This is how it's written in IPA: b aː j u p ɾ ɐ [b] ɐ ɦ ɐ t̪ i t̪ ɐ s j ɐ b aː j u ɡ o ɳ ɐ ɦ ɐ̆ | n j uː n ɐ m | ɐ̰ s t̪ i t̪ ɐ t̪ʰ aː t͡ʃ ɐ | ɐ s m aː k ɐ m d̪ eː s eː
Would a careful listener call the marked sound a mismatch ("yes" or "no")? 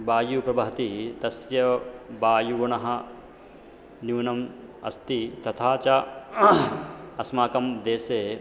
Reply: no